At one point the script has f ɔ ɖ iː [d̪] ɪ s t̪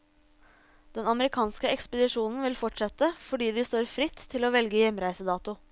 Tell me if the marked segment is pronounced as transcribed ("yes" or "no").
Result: yes